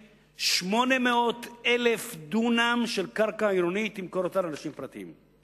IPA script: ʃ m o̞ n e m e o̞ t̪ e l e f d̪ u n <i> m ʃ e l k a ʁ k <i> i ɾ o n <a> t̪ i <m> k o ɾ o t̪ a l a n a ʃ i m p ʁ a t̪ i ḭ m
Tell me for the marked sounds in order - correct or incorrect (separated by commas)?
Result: incorrect, incorrect, incorrect, correct